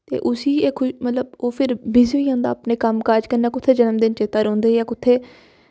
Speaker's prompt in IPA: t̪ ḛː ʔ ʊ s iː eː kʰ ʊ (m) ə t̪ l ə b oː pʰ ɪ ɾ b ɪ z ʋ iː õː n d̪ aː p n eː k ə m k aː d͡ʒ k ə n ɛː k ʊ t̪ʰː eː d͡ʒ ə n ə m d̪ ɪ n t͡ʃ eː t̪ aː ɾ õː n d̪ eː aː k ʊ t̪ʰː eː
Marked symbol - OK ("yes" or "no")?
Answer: yes